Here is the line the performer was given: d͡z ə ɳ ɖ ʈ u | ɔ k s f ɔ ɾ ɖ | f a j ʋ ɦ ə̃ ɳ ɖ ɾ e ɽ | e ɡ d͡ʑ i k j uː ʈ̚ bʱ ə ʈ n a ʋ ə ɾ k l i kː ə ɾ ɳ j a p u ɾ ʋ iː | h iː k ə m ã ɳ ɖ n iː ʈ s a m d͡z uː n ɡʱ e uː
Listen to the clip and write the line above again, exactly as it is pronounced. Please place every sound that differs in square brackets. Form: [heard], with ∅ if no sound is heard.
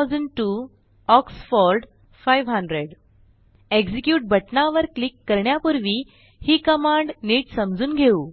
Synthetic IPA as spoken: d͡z ə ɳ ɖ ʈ u | ɔ k s f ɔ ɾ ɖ | f a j ʋ ɦ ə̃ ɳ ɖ ɾ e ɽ | e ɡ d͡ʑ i k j uː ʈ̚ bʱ ə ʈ n a ʋ ə ɾ k l i kː ə ɾ ɳ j a p u ɾ ʋ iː | h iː k ə m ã ɳ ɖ n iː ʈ s [ə] m d͡z uː n ɡʱ e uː